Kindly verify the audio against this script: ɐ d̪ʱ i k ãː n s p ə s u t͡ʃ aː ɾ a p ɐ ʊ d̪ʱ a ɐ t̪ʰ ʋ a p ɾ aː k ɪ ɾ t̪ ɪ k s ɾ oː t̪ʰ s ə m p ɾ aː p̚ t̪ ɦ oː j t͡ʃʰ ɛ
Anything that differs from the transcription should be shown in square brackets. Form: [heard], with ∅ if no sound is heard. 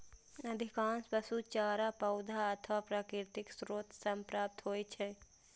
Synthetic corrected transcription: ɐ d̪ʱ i k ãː n s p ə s u t͡ʃ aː ɾ a p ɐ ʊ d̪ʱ a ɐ t̪ʰ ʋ a p ɾ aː k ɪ ɾ t̪ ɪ k s ɾ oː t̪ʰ s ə m p ɾ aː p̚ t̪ ɦ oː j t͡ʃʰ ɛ